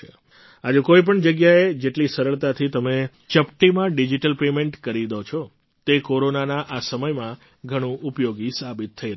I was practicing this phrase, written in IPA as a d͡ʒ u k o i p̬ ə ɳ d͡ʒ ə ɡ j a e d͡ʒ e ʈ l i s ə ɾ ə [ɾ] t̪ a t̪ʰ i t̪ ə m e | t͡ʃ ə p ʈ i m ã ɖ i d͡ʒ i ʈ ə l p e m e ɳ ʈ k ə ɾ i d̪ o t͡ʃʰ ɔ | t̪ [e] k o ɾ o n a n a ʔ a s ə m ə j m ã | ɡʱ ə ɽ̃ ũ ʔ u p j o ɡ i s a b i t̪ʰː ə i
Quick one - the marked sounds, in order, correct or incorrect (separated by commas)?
incorrect, correct